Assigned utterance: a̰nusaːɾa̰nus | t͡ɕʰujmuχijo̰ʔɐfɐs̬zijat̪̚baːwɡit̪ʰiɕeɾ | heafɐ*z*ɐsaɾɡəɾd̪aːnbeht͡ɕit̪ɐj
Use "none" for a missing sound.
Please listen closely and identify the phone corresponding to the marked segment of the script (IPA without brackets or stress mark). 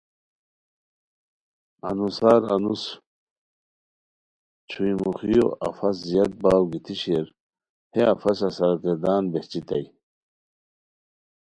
s